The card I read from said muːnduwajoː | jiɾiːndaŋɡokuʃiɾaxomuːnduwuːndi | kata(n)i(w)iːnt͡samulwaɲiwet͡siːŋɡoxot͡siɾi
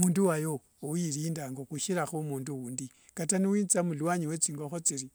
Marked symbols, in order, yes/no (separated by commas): yes, yes